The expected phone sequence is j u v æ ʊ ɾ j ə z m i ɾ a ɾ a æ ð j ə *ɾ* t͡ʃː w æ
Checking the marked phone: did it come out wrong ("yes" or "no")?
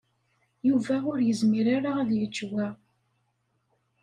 yes